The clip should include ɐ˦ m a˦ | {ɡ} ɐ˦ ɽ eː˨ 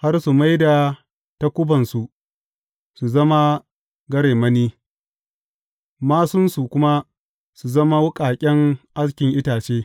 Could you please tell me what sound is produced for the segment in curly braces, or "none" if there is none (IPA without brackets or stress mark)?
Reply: ɡ